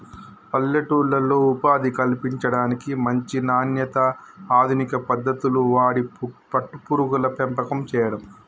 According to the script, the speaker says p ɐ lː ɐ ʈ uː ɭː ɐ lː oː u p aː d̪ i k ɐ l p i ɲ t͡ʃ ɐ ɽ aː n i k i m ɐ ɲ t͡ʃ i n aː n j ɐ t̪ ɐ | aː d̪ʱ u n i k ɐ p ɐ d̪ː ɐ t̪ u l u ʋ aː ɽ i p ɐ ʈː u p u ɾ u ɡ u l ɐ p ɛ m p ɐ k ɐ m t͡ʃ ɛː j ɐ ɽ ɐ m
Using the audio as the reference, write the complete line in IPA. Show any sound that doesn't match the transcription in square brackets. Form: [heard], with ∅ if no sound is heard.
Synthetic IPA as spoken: p ɐ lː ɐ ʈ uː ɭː ɐ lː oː u p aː d̪ i k ɐ l p i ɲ t͡ʃ ɐ ɽ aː n i k i m ɐ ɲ t͡ʃ i n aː n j ɐ t̪ ɐ | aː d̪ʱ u n i k ɐ p ɐ d̪ː ɐ t̪ u l u ʋ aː ɽ i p ɐ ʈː u p u ɾ u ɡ u l ɐ p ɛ m p ɐ k ɐ m t͡ʃ ɛː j ɐ ɽ ɐ m